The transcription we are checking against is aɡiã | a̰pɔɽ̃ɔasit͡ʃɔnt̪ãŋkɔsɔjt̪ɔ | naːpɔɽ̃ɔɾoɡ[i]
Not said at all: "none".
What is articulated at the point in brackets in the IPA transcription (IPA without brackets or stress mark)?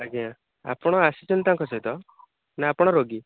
i